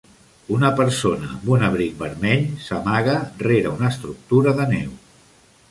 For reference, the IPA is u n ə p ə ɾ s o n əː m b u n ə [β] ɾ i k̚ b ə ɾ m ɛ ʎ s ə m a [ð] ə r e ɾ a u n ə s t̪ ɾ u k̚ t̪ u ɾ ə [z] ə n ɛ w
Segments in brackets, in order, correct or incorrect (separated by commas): correct, incorrect, incorrect